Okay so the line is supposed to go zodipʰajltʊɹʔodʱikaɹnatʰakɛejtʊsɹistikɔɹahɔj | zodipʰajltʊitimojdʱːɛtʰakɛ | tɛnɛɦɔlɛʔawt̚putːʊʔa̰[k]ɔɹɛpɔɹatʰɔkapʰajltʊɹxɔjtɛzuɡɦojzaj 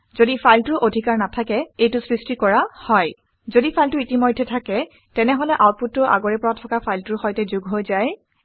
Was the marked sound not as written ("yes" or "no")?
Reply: yes